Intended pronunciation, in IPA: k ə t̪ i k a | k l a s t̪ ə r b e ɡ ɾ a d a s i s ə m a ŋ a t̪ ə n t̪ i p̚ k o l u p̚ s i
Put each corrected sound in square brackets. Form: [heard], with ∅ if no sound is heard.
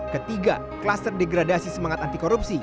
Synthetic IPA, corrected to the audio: k ə t̪ i [ɡ] a | k l a s t̪ ə r [d] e ɡ ɾ a d a s i s ə m a ŋ a t̪ [a] n t̪ i [∅] k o [ɾ] u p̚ s i